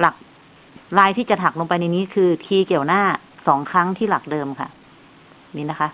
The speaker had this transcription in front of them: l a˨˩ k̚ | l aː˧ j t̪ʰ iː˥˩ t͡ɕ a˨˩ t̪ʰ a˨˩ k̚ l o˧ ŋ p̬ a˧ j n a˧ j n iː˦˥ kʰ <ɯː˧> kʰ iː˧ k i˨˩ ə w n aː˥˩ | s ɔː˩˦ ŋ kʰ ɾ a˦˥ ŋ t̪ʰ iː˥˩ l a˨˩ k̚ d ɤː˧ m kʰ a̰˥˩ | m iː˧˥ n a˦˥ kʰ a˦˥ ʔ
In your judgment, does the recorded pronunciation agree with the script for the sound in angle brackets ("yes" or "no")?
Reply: yes